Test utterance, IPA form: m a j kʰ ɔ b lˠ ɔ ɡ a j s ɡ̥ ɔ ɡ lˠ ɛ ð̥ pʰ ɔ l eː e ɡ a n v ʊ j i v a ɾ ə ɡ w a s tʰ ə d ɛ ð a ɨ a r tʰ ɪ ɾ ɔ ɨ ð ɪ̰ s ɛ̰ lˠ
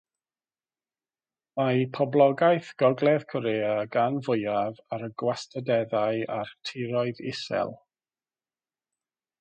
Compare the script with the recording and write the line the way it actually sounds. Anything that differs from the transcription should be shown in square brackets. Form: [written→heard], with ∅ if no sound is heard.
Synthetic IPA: m a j [kʰ→pʰ] ɔ b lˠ ɔ ɡ a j [s→θ] ɡ̥ ɔ ɡ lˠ ɛ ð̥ [pʰ→kʰ] ɔ [l→ɾ] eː [e→a] ɡ a n v ʊ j [i→a] v a ɾ ə ɡ w a s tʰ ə d ɛ ð a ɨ a r tʰ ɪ ɾ ɔ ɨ ð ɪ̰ s ɛ̰ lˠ